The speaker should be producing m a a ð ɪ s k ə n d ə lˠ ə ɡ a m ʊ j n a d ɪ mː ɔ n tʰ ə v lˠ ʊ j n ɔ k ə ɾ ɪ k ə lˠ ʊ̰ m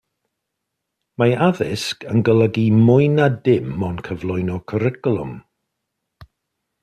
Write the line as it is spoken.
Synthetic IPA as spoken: m a a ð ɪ s k ə n ɡ ə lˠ ə ɡ i m ʊ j n a d ɪ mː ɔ n kʰ ə v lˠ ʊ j n ɔ kʰ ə ɾ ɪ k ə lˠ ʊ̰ m